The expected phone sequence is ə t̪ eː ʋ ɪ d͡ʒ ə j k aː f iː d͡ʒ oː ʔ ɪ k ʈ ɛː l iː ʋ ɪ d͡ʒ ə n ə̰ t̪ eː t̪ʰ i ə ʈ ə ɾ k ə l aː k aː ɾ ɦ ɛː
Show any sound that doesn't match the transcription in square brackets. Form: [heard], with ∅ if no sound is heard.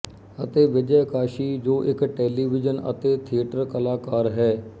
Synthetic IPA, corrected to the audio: ə t̪ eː ʋ ɪ d͡ʒ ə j k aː [ʃ] iː d͡ʒ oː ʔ ɪ k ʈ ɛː l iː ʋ ɪ d͡ʒ ə n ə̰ t̪ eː t̪ʰ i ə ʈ ə ɾ k ə l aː k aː ɾ ɦ ɛː